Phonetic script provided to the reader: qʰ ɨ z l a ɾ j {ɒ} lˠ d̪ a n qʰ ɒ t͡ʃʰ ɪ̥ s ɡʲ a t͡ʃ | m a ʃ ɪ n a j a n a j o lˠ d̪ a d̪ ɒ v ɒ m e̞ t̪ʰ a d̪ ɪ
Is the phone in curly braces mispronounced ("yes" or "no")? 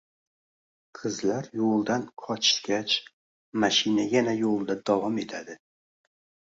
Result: yes